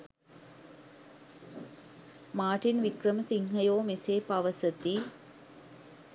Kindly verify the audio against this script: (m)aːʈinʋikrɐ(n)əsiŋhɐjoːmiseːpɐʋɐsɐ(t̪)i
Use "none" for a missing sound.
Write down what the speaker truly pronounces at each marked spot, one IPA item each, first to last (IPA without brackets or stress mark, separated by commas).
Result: m, m, t̪